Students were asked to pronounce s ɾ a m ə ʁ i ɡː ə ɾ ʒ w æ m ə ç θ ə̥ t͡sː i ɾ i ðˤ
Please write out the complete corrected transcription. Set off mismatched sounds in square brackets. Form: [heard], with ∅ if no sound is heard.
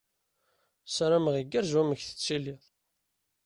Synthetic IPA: s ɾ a m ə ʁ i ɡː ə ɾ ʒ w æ m ə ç θ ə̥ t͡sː i [l] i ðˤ